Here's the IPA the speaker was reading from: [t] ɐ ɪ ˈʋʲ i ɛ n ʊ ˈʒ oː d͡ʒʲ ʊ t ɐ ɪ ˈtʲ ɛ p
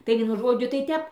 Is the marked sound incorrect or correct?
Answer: correct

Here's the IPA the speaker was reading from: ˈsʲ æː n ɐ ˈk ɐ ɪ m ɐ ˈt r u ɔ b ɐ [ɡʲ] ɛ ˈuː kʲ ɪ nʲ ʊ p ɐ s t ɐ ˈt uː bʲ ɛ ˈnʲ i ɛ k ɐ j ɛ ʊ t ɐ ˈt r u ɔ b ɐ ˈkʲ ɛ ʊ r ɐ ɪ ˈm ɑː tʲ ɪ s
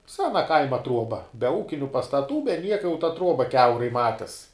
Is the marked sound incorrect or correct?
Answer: incorrect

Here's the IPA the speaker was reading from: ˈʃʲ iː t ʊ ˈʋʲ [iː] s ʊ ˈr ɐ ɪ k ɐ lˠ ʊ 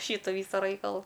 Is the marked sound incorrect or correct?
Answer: correct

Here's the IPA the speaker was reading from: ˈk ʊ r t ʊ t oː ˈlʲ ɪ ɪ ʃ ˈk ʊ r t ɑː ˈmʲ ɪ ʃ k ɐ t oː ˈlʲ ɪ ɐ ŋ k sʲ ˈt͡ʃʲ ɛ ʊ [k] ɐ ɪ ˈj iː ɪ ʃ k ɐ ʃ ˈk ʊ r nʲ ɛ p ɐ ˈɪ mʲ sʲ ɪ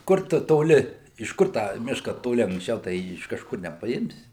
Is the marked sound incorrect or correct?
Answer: incorrect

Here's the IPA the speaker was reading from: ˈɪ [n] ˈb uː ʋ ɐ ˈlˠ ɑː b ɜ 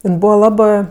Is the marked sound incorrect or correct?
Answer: correct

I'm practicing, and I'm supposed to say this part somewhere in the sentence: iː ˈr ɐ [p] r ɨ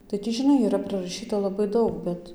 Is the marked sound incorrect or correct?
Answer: correct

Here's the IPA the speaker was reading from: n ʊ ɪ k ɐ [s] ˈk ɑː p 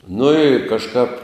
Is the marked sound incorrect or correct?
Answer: incorrect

